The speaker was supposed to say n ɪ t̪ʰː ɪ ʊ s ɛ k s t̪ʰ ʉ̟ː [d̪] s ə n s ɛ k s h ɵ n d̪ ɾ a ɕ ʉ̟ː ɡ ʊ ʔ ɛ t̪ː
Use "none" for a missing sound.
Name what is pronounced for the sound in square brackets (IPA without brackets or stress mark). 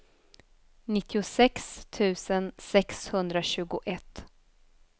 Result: none